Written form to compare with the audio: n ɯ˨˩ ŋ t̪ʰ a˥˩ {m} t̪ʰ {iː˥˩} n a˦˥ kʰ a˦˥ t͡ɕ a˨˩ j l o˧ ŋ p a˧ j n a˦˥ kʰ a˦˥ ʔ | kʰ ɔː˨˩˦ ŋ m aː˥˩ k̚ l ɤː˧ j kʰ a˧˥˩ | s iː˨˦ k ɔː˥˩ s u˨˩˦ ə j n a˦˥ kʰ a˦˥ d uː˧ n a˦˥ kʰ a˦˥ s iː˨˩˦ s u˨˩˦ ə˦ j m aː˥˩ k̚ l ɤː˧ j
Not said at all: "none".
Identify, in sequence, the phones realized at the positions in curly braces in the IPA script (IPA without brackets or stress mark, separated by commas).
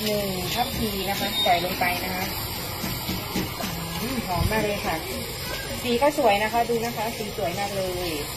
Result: m, iː˧